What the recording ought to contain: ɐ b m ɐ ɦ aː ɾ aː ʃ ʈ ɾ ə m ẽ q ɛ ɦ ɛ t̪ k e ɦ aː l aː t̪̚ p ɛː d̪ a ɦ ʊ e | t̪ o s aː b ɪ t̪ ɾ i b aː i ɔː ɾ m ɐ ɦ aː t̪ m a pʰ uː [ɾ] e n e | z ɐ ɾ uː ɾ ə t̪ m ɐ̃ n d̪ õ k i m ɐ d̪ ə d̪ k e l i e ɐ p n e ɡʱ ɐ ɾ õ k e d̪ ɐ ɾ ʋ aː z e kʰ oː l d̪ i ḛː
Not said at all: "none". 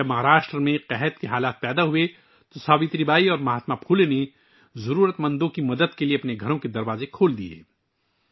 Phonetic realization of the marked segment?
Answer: l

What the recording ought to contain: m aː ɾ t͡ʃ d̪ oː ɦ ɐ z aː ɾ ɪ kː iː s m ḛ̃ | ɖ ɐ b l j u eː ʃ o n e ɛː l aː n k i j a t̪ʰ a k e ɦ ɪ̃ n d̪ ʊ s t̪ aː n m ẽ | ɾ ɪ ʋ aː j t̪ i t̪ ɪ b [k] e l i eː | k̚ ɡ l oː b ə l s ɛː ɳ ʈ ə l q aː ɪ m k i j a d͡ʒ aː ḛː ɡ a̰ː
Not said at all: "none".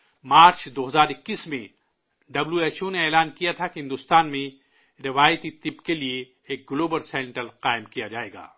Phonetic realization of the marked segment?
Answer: k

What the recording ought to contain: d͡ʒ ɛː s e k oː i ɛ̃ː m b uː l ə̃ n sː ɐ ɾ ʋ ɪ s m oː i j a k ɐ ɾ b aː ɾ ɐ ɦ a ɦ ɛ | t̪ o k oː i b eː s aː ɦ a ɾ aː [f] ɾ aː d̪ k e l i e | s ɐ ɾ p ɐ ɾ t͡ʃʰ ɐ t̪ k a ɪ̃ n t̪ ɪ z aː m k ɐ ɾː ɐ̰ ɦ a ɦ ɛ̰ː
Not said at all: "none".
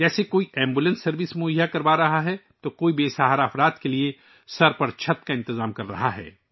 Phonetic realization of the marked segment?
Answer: f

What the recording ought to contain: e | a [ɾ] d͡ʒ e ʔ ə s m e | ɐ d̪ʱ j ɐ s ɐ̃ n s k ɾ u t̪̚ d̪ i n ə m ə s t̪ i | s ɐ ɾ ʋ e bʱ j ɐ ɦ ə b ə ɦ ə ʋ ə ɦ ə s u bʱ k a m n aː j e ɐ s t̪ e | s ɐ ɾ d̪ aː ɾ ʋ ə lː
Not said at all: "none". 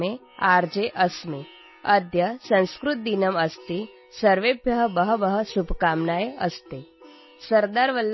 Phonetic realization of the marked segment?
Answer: ɾ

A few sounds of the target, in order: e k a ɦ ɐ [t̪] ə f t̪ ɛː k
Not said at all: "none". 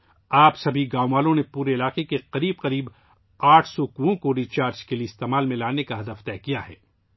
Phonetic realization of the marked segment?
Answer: d̪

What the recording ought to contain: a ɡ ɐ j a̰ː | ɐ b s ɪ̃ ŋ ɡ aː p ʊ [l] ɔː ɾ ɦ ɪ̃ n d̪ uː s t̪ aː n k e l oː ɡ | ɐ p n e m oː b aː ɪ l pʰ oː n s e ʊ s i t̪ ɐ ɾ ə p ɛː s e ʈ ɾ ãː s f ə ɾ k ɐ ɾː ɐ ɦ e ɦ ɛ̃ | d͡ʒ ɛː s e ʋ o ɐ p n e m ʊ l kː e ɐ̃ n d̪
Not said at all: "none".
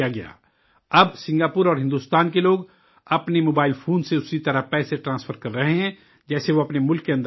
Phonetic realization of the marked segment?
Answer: ɾ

